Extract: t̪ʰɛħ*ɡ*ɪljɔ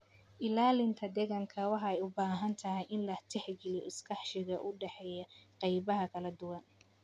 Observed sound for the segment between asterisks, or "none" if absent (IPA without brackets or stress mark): ɡ